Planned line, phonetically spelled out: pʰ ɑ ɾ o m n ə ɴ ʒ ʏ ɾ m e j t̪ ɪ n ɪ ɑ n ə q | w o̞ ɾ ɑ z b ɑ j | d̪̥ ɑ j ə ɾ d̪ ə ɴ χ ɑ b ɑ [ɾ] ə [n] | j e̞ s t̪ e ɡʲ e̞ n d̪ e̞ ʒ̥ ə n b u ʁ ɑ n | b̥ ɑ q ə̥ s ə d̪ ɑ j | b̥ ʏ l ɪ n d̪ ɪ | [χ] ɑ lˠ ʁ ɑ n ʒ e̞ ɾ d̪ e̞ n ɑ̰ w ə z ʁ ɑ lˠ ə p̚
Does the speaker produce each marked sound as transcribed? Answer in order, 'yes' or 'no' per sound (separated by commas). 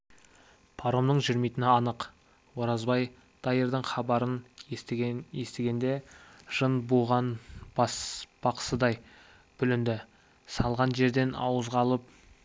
yes, yes, no